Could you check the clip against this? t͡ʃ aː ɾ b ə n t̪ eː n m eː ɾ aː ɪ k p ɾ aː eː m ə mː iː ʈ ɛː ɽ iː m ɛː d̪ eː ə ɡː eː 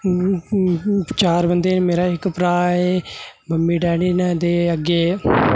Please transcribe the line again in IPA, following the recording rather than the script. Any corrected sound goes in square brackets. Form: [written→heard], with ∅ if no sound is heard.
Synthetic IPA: t͡ʃ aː ɾ b ə n [t̪→d̪] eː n m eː ɾ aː ɪ k p ɾ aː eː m ə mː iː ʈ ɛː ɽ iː [m→n] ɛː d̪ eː ə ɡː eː